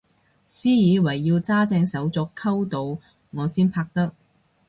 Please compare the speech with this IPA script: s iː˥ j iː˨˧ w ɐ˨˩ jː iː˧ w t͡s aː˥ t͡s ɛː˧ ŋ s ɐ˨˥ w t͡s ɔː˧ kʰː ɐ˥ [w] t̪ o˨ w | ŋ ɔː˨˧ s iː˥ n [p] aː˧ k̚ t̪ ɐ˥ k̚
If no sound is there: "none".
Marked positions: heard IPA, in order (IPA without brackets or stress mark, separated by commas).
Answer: w, pʰ